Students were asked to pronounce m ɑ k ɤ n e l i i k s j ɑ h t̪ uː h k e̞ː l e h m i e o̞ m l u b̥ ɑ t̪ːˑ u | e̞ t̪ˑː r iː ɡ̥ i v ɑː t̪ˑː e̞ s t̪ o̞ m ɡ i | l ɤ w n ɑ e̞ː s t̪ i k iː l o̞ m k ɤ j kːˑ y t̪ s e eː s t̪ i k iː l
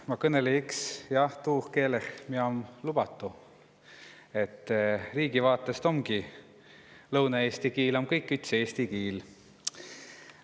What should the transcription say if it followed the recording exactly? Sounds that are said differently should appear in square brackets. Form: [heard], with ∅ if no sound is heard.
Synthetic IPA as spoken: m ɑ k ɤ n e l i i k s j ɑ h t̪ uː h k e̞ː l e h m i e o̞ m l u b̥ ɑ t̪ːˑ u | e̞ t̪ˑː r iː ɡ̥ i v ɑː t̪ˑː e̞ s t̪ o̞ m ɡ i | l ɤ w n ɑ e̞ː s t̪ i k iː l o̞ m k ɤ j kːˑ y t̪ s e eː s t̪ i k iː l